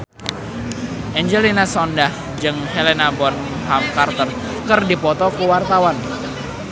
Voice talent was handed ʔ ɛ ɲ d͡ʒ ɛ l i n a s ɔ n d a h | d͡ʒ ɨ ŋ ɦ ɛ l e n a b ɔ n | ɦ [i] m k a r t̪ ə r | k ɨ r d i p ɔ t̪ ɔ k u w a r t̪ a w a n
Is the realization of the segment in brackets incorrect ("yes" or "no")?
yes